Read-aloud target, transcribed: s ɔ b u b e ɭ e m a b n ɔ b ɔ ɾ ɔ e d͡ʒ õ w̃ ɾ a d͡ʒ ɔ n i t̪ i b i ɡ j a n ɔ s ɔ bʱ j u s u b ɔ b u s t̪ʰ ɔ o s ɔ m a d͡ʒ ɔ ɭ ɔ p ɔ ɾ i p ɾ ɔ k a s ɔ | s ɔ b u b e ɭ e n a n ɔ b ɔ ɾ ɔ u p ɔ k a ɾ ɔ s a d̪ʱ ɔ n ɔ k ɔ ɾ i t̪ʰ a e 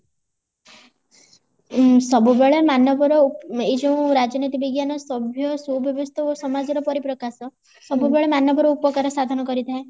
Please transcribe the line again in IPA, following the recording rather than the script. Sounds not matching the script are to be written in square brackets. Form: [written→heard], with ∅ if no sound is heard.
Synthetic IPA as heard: s ɔ b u b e ɭ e m a [b→∅] n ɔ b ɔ ɾ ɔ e d͡ʒ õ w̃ ɾ a d͡ʒ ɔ n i t̪ i b i ɡ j a n ɔ s ɔ bʱ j [u→ɔ] s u b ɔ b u s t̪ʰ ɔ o s ɔ m a d͡ʒ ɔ [ɭ→ɾ] ɔ p ɔ ɾ i p ɾ ɔ k a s ɔ | s ɔ b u b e ɭ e [n→m] a n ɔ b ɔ ɾ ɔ u p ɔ k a ɾ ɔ s a d̪ʱ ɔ n ɔ k ɔ ɾ i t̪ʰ a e